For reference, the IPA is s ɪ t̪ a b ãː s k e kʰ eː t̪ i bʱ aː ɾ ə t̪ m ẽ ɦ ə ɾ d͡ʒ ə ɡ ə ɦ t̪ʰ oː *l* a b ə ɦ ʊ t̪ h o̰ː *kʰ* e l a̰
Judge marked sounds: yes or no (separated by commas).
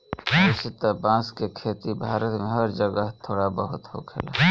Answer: no, yes